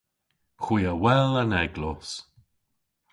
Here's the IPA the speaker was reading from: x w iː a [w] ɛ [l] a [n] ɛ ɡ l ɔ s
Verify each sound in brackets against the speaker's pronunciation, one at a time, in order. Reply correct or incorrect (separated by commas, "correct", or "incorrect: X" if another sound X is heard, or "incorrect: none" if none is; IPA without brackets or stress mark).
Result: correct, correct, correct